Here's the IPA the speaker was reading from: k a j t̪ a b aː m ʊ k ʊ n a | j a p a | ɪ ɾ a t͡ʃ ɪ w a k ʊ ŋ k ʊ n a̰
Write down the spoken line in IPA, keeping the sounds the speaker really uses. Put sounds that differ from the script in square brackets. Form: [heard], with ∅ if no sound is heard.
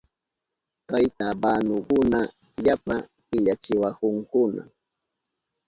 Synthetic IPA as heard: k a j t̪ a b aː [n] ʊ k ʊ n a | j a p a | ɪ [ʎ] a t͡ʃ ɪ w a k ʊ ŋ k ʊ n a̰